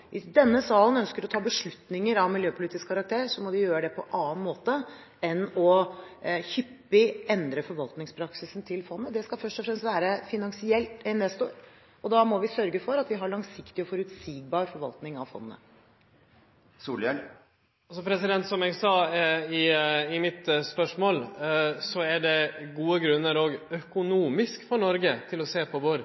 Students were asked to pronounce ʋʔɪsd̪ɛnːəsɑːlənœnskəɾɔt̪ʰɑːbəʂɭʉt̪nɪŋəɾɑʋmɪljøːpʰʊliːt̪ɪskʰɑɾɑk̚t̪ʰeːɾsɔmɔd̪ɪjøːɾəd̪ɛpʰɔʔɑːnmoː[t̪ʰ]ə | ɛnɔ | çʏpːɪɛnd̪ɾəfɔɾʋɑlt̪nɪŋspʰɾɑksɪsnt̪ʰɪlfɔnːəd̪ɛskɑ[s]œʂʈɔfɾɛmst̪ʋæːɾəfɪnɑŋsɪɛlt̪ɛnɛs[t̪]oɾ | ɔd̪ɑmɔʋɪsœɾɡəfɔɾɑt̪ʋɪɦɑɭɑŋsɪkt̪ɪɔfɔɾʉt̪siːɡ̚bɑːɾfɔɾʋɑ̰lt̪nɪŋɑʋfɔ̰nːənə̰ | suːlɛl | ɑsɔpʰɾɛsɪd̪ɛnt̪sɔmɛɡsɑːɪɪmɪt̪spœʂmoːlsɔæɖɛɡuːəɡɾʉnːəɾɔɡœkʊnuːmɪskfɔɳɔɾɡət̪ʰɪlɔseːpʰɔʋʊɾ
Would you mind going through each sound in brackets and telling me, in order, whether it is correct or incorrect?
incorrect, incorrect, correct

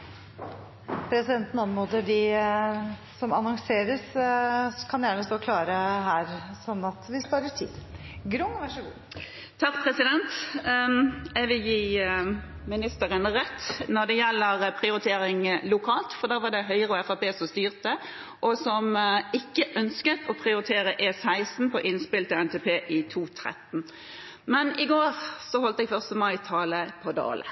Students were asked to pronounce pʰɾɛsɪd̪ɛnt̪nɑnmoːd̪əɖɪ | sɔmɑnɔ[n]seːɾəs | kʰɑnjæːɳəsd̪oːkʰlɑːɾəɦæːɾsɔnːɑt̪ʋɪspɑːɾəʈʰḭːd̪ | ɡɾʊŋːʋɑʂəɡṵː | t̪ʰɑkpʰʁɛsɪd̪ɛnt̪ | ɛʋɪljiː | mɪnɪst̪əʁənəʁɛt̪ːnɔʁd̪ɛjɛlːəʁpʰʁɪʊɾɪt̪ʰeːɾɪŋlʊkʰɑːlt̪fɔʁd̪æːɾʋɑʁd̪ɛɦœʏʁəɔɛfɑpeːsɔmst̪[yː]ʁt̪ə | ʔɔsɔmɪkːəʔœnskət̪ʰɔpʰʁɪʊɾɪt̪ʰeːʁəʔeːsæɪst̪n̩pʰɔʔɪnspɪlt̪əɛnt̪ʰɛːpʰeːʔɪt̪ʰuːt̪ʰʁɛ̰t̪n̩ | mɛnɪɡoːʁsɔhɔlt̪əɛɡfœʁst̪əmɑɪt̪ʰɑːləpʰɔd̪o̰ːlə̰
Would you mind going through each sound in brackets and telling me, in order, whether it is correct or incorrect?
incorrect, correct

